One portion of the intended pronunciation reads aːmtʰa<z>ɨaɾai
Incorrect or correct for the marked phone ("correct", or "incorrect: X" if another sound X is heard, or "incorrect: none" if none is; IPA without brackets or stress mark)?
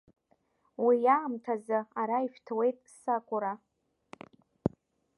correct